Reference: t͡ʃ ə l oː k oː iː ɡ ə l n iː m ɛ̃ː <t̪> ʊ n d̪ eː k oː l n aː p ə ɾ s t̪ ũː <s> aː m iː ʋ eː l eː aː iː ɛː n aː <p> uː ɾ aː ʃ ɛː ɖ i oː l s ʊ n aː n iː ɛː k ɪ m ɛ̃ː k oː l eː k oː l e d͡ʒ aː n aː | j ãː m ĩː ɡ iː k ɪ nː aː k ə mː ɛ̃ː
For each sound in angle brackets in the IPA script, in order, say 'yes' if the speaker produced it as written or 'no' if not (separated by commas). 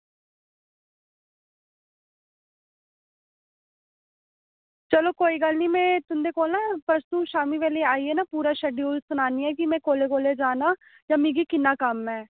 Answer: yes, no, yes